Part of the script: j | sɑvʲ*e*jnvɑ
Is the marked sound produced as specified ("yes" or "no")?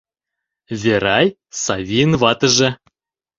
no